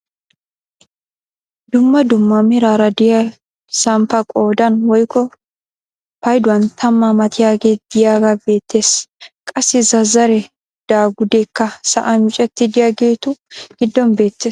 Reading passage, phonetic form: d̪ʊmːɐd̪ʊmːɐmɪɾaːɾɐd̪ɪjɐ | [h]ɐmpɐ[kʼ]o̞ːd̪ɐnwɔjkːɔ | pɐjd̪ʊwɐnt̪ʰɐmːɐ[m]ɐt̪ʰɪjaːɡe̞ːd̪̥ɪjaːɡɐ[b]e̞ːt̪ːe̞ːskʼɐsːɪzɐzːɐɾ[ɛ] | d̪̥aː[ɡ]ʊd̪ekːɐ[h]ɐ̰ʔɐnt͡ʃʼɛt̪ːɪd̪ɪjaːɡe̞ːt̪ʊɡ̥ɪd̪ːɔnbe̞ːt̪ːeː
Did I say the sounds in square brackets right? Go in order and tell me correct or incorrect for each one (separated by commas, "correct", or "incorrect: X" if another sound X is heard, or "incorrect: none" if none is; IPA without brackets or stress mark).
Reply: incorrect: s, correct, correct, correct, correct, correct, incorrect: s